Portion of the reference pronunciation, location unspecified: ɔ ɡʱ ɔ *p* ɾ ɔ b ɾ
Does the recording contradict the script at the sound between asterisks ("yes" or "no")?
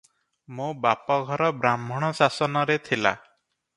yes